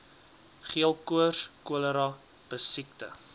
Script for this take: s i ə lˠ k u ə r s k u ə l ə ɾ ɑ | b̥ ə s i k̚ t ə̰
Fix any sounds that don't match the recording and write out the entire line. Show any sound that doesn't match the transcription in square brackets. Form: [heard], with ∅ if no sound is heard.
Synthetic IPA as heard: [χ] i ə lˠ k u ə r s k u ə l ə ɾ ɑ | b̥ ə s i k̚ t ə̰